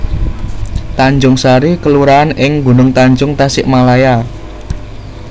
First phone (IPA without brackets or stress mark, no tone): t̪